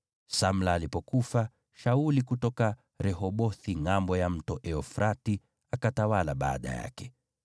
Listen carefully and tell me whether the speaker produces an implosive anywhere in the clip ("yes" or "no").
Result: yes